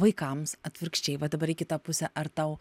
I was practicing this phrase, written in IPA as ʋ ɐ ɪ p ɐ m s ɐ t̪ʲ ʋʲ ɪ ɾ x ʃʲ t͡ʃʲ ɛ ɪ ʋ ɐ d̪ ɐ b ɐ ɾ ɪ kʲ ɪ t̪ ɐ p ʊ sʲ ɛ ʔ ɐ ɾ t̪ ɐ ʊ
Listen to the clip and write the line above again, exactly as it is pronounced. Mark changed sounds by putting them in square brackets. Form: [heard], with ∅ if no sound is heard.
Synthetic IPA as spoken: ʋ ɐ ɪ [k] ɐ m s ɐ t̪ʲ ʋʲ ɪ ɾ [k] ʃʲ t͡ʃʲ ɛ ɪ ʋ ɐ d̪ ɐ b ɐ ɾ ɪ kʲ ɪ t̪ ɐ p ʊ sʲ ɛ ʔ ɐ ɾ t̪ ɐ ʊ